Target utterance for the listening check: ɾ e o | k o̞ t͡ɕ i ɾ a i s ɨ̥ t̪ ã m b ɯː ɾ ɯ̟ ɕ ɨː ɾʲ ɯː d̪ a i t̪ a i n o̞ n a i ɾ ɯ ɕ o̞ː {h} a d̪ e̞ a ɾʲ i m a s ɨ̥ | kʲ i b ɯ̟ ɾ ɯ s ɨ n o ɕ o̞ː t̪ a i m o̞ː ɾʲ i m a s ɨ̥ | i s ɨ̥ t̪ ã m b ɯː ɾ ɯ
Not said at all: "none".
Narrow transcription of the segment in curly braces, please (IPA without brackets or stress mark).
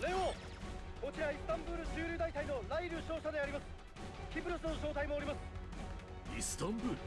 ɕ